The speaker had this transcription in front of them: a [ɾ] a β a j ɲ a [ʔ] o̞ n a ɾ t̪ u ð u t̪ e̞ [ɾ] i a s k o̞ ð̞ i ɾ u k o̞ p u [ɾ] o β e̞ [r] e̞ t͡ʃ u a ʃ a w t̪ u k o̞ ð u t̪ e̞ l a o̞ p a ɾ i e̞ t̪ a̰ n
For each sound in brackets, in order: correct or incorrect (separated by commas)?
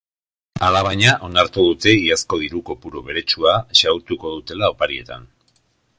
incorrect, correct, incorrect, correct, incorrect